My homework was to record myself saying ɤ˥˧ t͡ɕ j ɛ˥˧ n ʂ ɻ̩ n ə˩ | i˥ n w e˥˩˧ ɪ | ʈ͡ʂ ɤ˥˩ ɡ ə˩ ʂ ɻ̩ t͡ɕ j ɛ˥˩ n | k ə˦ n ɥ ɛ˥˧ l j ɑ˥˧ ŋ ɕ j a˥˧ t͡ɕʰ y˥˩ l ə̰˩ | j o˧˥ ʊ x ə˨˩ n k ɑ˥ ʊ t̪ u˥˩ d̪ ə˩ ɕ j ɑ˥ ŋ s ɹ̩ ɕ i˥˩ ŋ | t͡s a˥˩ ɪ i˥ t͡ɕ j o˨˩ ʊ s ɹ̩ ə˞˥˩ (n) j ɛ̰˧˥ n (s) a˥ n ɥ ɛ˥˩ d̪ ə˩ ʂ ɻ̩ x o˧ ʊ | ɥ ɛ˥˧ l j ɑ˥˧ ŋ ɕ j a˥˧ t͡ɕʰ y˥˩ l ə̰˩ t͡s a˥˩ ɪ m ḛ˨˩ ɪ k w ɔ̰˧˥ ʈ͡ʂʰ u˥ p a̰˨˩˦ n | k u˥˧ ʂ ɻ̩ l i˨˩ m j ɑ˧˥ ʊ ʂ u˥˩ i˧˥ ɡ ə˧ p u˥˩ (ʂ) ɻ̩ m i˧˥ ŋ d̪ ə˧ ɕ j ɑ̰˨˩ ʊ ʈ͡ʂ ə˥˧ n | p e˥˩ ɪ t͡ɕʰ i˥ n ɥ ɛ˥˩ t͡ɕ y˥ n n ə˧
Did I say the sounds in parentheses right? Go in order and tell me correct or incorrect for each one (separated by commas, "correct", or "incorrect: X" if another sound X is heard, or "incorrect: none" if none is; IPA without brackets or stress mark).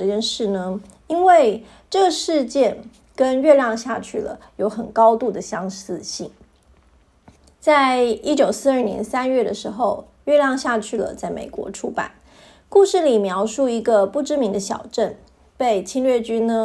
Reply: correct, correct, incorrect: ʈ͡ʂ